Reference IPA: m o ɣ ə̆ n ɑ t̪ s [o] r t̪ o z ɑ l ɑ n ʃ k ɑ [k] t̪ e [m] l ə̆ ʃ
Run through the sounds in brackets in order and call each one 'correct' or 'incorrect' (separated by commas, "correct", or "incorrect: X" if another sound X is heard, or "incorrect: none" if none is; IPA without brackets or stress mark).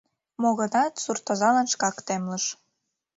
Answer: incorrect: u, correct, correct